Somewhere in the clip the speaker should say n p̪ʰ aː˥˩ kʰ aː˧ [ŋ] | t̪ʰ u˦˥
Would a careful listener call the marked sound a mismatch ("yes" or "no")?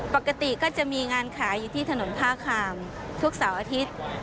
yes